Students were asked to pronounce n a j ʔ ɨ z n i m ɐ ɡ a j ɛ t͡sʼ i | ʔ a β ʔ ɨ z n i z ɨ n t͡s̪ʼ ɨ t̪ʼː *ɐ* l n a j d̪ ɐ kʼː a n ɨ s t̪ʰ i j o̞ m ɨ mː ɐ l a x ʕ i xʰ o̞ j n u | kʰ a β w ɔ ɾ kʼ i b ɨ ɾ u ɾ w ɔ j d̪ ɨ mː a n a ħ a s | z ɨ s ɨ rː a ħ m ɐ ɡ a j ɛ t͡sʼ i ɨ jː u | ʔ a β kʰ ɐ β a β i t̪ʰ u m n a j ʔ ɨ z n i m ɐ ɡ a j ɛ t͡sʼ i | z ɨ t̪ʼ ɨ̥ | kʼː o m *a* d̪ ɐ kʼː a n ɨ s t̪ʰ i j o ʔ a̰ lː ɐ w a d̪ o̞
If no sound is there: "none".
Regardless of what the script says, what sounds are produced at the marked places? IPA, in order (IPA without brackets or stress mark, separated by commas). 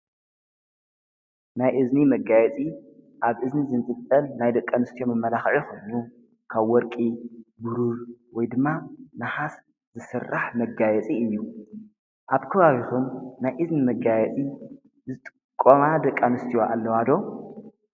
ɐ, a